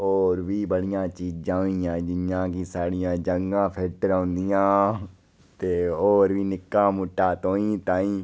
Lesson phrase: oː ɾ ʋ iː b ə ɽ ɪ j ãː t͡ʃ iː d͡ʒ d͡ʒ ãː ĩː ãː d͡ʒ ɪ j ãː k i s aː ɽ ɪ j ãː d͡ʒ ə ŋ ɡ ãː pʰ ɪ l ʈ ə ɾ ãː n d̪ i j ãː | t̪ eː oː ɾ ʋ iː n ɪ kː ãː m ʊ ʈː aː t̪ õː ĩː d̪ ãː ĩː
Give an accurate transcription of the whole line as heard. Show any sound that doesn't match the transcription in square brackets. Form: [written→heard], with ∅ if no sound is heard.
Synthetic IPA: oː ɾ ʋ iː b ə ɽ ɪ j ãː t͡ʃ iː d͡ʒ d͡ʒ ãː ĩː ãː d͡ʒ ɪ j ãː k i s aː ɽ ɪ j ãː d͡ʒ ə ŋ ɡ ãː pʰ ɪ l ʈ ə ɾ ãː n d̪ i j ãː | t̪ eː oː ɾ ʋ iː n ɪ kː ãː m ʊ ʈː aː t̪ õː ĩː [d̪→t̪] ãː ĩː